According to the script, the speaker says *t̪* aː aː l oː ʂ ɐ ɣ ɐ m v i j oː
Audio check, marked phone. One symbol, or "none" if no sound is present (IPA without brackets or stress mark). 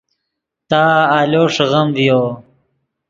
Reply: t̪